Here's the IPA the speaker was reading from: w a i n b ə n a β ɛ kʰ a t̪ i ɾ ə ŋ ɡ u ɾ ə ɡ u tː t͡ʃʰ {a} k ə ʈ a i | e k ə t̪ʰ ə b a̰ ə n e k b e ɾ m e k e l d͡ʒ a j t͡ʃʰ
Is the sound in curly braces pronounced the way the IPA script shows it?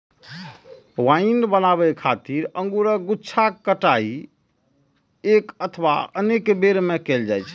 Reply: yes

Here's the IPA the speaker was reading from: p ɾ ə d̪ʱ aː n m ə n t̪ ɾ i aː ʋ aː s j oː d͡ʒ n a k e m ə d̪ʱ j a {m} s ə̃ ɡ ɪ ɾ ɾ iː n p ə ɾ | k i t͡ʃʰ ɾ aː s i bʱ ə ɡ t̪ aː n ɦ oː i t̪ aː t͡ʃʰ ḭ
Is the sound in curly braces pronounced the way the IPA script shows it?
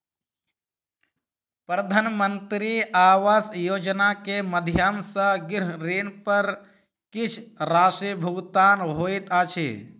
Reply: yes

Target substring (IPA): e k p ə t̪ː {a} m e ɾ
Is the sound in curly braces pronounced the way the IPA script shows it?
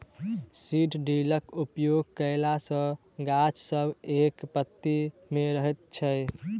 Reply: no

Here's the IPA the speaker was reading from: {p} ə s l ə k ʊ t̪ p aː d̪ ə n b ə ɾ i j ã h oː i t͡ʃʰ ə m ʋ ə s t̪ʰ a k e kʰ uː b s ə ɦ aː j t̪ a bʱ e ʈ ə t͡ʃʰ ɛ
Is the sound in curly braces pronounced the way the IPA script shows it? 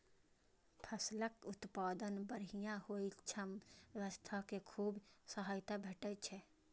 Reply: no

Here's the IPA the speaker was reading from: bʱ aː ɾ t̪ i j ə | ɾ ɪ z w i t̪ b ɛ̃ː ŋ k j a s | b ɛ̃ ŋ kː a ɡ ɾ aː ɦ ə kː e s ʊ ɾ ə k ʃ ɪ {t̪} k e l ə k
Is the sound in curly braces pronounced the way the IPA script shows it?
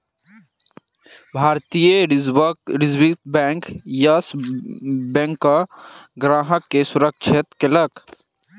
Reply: yes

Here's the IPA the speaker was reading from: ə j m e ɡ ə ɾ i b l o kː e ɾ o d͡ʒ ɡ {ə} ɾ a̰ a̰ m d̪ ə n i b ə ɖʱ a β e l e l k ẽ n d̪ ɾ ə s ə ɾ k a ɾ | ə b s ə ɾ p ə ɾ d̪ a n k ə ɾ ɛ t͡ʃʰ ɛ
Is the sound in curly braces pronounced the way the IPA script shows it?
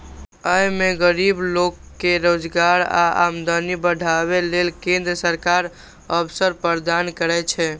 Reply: no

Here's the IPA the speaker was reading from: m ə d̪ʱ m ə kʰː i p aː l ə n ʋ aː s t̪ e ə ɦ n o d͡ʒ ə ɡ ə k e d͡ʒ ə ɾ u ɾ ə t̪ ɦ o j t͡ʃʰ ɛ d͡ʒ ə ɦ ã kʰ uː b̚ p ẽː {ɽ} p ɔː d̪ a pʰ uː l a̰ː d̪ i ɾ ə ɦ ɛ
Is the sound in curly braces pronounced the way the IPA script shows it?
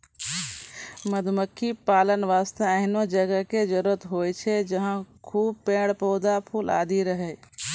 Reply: yes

